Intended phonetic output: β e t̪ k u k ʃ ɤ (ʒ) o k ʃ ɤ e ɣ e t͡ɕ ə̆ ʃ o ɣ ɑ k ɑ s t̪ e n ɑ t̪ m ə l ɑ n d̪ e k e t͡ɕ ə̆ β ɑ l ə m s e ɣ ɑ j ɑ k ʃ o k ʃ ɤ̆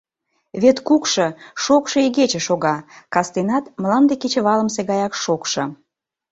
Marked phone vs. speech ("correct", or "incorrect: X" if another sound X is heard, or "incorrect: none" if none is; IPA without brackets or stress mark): incorrect: ʃ